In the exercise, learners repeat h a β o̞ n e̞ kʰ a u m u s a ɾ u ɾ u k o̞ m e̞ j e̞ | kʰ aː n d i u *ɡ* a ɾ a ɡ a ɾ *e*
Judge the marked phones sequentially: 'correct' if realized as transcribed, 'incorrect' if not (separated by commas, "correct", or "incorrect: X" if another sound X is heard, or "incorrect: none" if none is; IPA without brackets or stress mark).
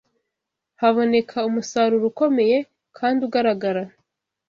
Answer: correct, incorrect: a